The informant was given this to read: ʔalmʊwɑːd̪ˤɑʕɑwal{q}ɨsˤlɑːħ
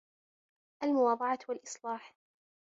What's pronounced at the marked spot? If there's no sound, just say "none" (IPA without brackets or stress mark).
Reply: ʔ